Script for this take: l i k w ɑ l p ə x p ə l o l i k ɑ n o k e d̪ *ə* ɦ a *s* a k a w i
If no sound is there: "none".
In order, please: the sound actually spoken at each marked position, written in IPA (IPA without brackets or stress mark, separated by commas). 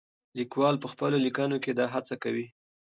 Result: ɑ, t͡s